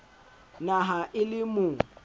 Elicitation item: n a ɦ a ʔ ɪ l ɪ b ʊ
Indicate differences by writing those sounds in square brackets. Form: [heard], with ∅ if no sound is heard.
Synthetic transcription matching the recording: n a ɦ a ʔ ɪ l ɪ [m] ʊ